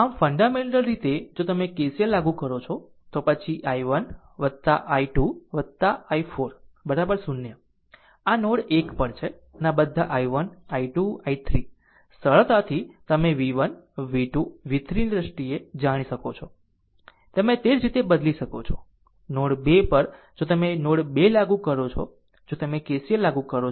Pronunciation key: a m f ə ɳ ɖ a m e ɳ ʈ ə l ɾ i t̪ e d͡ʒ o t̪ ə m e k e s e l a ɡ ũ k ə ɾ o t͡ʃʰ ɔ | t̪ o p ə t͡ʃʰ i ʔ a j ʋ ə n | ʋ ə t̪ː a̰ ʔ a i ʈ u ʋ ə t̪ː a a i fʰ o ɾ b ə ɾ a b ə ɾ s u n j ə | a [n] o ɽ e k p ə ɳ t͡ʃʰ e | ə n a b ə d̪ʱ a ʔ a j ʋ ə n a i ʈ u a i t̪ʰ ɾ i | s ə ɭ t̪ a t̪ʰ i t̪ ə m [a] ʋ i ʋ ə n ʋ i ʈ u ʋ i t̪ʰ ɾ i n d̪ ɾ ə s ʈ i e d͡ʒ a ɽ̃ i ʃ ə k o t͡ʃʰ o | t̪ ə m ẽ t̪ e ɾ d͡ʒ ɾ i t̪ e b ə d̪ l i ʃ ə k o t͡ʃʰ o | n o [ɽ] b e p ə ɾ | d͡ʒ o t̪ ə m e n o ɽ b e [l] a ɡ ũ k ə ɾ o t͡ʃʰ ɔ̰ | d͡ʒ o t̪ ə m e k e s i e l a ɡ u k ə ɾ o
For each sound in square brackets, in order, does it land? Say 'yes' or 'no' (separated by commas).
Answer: yes, no, yes, yes